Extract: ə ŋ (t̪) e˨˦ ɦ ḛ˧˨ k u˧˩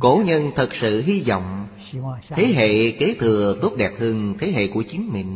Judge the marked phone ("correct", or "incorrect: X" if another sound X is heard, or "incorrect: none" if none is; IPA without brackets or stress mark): incorrect: t̪ʰ